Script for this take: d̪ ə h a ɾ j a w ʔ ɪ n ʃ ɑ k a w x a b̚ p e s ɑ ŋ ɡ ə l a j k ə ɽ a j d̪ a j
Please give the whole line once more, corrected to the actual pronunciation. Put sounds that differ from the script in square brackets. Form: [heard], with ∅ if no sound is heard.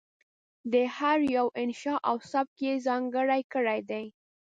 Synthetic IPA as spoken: d̪ ə h a ɾ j a w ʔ ɪ n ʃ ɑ [ʔ] a w [s] a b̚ [k] e [z] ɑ ŋ ɡ ə [ɽ] a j k ə ɽ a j d̪ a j